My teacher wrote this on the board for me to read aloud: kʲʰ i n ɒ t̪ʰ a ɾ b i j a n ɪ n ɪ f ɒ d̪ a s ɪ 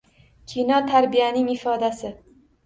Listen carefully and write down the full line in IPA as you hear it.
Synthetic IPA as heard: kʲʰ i n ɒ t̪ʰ a ɾ b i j a n ɪ ŋ ɪ f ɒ d̪ a s ɪ